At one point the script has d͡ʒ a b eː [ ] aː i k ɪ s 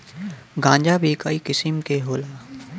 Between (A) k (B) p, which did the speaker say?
A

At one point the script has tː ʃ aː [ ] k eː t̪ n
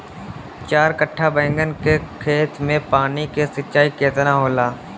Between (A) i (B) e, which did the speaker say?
A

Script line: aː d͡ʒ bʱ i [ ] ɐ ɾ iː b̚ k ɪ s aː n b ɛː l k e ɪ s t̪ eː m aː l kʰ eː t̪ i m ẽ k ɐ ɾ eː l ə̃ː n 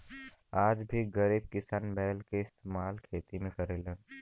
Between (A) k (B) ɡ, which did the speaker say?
B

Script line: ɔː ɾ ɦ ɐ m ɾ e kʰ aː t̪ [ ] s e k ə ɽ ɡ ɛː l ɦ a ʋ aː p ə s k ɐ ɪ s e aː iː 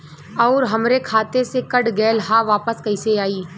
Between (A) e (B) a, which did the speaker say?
A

